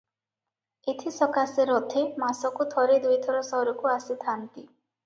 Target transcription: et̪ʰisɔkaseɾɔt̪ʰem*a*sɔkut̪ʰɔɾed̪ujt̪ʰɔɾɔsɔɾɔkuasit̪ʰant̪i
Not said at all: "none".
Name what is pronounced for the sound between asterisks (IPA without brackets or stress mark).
a